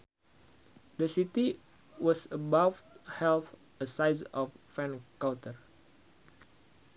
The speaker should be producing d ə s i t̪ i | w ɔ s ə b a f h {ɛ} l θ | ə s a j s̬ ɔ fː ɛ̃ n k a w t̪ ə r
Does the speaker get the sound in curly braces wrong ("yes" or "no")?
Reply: no